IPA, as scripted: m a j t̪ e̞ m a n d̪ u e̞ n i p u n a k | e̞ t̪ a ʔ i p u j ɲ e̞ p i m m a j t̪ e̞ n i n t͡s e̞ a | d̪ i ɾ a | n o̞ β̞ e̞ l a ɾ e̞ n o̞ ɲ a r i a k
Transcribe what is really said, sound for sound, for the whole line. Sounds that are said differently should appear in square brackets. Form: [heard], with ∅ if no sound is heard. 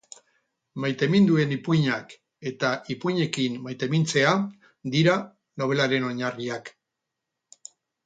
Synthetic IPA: m a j t̪ e̞ m [i] n d̪ u e̞ n i p u [ɲ] a k | e̞ t̪ a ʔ i p u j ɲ e̞ [k] i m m a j t̪ e̞ [m] i n t͡s e̞ a | d̪ i ɾ a | n o̞ β̞ e̞ l a ɾ e̞ n o̞ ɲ a r i a k